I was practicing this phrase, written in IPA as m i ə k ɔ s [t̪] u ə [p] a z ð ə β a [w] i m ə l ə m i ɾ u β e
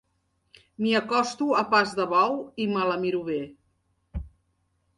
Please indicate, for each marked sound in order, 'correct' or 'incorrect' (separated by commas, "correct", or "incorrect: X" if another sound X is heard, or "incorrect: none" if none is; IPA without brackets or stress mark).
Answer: correct, correct, correct